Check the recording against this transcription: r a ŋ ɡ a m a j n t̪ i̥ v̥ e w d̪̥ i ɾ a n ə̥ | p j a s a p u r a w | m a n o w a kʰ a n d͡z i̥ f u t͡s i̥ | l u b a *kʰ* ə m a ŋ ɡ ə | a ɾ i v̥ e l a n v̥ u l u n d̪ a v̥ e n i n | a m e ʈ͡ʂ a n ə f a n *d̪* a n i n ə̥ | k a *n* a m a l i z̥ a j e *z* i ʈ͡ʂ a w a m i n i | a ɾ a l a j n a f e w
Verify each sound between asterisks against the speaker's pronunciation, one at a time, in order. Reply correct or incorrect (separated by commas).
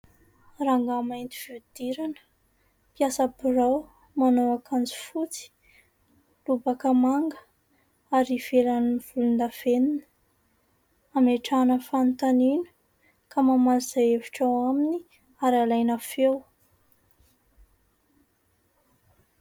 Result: incorrect, incorrect, incorrect, incorrect